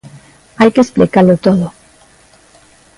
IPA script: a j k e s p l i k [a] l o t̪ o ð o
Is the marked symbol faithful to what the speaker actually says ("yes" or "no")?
yes